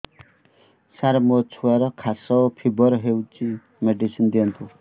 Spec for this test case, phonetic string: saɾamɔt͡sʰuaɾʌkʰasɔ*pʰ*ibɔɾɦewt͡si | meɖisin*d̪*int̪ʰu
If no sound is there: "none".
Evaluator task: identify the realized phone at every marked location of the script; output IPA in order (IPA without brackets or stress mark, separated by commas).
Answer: pʰ, d̪